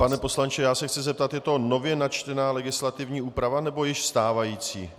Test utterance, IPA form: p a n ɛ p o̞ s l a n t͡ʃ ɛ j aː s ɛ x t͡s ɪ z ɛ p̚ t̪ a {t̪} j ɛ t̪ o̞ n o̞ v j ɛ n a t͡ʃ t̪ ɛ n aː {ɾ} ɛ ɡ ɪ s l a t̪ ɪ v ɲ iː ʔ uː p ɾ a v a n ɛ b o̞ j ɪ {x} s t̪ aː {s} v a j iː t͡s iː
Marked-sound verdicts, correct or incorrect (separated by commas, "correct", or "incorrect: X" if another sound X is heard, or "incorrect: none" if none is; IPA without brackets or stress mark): correct, incorrect: l, incorrect: ʃ, incorrect: none